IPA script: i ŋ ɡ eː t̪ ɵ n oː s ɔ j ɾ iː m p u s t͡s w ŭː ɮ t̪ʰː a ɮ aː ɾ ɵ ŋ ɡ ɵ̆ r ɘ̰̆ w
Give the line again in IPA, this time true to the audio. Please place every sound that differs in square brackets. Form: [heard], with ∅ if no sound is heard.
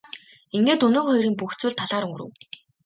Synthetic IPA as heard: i ŋ ɡ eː t̪ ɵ n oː [χ] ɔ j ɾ iː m p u [x] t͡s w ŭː ɮ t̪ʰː a ɮ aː ɾ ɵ ŋ ɡ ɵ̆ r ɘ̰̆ w